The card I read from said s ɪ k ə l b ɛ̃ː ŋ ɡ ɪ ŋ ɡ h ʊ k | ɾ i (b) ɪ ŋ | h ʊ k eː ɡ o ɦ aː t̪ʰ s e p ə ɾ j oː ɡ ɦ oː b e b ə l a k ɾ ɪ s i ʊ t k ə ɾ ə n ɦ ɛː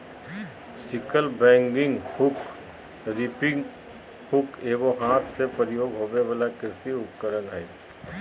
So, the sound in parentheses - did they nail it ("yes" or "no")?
no